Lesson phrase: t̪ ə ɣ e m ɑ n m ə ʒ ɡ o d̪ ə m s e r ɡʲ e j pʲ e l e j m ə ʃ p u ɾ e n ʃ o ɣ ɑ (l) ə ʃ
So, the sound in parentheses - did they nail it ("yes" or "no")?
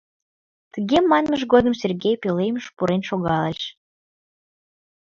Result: yes